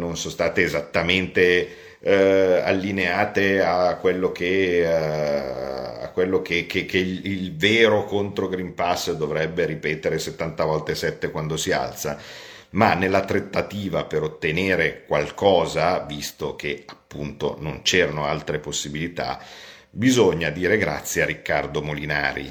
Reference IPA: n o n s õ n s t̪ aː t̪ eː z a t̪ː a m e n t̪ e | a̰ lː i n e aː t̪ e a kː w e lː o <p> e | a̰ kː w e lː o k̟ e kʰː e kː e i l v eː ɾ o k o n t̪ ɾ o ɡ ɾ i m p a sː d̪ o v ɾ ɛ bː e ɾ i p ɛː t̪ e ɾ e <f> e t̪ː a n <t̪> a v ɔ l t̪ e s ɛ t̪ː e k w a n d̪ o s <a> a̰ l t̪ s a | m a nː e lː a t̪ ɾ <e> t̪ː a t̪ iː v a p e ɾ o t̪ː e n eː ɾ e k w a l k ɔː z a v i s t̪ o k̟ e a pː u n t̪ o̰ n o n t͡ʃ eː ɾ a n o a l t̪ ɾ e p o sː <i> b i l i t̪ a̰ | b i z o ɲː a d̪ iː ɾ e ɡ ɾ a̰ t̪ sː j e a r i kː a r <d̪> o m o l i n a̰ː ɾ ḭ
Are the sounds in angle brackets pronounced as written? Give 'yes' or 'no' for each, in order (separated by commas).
no, no, yes, no, yes, yes, yes